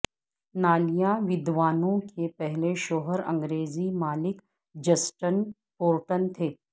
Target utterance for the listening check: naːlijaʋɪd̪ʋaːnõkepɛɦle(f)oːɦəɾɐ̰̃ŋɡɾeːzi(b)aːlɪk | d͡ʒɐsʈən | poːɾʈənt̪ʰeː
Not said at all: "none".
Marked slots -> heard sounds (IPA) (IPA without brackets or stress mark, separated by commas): ʃ, m